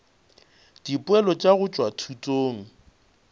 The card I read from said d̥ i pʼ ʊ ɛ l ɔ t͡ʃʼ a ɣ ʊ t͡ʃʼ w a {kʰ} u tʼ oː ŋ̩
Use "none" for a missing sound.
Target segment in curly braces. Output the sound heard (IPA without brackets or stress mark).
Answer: tʰ